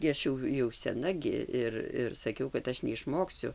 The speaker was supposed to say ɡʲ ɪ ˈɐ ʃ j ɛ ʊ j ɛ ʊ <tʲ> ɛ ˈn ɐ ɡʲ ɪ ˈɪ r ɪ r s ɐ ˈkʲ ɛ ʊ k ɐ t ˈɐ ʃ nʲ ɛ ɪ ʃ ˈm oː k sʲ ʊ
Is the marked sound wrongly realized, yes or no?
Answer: yes